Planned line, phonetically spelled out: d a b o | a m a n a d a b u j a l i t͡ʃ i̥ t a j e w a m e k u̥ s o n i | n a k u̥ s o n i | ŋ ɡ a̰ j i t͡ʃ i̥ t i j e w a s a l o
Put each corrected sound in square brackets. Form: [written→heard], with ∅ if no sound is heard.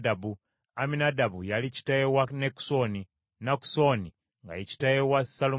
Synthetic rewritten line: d a b [o→u] | a m [a→i] n a d a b u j a l i t͡ʃ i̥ t a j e w a [m→n] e k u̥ s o n i | n a k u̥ s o n i | ŋ ɡ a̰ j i t͡ʃ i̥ t [i→a] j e w a s a l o